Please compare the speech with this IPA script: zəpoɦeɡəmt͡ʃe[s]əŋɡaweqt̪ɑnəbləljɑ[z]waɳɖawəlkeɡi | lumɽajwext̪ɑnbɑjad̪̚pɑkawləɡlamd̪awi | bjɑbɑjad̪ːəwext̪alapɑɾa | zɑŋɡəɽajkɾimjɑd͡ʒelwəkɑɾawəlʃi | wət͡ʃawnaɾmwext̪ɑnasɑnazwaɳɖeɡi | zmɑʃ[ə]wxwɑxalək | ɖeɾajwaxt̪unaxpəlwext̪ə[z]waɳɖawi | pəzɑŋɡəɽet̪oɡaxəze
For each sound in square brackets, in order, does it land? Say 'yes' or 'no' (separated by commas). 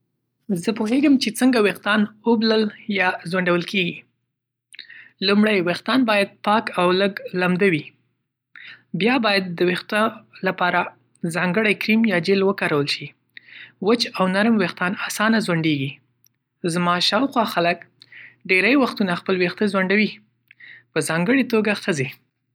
no, yes, no, yes